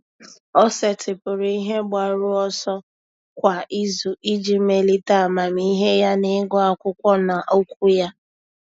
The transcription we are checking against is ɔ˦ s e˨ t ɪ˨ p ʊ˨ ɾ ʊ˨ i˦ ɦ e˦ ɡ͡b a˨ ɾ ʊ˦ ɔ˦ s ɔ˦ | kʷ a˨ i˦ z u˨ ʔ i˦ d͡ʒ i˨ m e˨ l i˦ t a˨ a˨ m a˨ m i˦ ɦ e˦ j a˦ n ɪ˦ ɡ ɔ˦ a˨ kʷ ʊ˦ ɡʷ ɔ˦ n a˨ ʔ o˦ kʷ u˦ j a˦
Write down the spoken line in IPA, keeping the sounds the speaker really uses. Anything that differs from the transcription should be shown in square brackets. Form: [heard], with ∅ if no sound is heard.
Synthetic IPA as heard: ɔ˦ s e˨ t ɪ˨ p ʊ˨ ɾ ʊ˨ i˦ ɦ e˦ ɡ͡b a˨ ɾ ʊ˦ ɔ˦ s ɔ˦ | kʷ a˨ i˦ z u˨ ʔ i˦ d͡ʒ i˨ m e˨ l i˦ t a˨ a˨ m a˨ m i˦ ɦ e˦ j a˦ n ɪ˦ ɡ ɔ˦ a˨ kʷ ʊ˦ [kʷ] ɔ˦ n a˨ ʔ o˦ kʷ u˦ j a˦